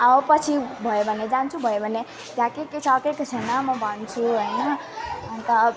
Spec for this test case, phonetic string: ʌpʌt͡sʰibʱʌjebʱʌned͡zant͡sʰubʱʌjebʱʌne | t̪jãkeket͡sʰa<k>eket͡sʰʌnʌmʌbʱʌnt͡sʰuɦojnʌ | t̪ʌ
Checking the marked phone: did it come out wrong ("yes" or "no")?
no